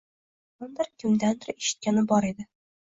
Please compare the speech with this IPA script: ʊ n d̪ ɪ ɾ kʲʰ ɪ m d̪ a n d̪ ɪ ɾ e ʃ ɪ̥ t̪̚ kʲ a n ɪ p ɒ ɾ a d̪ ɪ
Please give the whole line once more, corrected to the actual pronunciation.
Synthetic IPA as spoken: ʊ n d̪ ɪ ɾ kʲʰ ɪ m d̪ a n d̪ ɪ ɾ e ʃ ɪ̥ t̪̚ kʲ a n ɪ b ɒ ɾ e d̪ ɪ